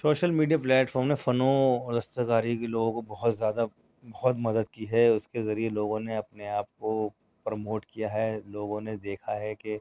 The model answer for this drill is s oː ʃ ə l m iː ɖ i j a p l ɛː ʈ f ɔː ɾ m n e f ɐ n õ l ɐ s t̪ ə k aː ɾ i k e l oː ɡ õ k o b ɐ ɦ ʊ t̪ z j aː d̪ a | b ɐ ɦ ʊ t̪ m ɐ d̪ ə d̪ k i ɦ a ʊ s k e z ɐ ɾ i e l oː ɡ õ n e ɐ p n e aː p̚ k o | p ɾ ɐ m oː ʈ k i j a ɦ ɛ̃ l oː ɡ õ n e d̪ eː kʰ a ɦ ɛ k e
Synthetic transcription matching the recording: s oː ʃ ə l m iː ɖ i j a p l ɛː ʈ f ɔː ɾ m n e f ɐ n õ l ɐ s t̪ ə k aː ɾ i k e l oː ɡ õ k o b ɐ ɦ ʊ t̪ z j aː d̪ a | b ɐ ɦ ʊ t̪ m ɐ d̪ ə d̪ k i ɦ ɛ ʊ s k e z ɐ ɾ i e l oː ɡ õ n e ɐ p n e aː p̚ k o | p ɾ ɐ m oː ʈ k i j a ɦ ɛ l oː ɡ õ n e d̪ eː kʰ a ɦ ɛ k e